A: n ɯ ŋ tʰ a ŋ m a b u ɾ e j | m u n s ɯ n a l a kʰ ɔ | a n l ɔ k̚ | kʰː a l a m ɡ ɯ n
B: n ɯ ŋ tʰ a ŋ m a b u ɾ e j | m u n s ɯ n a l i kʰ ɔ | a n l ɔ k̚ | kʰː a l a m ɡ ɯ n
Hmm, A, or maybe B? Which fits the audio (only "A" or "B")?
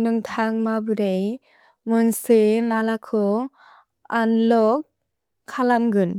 A